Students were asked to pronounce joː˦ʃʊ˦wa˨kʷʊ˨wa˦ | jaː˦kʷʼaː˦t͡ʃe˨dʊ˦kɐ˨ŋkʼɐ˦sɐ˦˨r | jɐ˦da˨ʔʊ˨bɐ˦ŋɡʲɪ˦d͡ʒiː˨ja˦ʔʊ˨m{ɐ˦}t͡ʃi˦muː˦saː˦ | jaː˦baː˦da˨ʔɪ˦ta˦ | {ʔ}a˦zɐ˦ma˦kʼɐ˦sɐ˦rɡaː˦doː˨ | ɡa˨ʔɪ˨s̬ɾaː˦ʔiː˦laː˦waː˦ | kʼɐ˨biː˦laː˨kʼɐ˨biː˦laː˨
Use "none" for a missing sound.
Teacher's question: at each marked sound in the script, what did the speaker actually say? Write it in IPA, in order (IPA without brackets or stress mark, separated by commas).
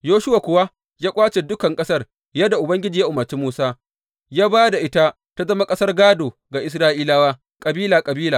ɐ˨, t